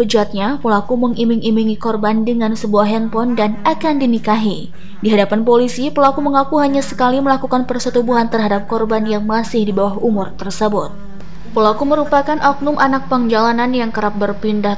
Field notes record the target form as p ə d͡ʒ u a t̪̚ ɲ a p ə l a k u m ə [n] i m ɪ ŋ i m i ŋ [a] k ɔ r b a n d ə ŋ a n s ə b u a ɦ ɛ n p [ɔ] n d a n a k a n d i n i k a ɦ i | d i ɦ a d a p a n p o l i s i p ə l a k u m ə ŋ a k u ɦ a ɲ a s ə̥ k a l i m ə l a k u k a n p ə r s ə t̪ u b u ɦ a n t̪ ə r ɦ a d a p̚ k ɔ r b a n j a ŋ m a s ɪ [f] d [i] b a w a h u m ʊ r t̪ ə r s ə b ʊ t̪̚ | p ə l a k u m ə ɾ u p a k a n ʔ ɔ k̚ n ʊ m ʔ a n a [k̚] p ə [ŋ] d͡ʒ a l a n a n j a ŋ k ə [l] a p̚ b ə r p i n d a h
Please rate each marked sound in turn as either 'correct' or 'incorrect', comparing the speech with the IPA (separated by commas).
incorrect, incorrect, correct, incorrect, correct, correct, correct, incorrect